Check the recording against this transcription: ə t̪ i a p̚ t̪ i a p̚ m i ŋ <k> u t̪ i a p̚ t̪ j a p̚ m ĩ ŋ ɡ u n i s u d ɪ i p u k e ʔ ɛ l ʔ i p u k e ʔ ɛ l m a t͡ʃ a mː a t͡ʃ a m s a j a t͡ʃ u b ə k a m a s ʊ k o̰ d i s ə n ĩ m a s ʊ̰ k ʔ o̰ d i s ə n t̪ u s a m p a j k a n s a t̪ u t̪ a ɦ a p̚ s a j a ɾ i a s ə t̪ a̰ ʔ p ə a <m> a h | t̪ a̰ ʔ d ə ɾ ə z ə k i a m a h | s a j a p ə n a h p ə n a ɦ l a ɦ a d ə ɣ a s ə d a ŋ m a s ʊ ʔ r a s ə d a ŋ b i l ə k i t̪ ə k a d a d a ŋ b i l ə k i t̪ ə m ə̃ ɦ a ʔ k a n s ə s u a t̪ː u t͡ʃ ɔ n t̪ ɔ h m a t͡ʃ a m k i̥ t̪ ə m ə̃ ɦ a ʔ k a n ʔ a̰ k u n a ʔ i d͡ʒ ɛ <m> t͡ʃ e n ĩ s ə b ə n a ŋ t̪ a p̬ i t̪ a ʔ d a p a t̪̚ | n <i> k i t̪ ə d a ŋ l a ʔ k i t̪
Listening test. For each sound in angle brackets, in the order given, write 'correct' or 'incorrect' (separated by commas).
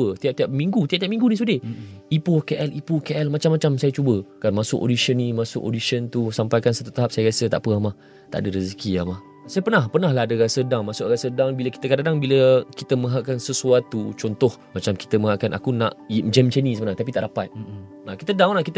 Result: incorrect, correct, correct, incorrect